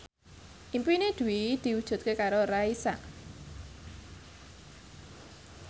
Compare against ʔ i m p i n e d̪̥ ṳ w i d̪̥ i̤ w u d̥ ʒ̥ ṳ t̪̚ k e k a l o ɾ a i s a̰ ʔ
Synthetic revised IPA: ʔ i m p i n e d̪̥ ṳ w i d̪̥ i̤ w u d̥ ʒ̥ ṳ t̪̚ k e k a ɾ o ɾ a i s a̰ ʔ